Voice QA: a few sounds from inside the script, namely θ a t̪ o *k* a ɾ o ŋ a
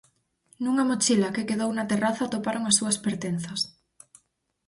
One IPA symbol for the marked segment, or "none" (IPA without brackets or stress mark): p